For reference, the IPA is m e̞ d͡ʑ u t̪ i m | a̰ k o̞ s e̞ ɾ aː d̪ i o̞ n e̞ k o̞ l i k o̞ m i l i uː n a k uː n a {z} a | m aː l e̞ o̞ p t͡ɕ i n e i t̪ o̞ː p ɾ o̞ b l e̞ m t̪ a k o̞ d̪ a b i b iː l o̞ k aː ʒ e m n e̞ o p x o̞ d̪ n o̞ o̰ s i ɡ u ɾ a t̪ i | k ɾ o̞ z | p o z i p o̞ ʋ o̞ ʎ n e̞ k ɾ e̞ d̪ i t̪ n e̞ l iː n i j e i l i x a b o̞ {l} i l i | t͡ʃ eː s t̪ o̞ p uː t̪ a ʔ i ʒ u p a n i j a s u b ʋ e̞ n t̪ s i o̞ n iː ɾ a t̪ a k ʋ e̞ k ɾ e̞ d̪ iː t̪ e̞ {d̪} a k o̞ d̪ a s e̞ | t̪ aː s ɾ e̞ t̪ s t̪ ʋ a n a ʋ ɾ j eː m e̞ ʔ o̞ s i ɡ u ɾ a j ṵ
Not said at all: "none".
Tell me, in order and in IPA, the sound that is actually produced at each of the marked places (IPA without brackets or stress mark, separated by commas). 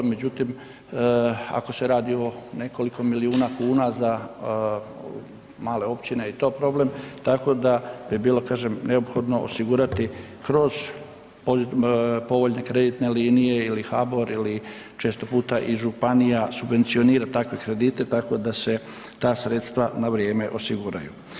z, ɾ, t̪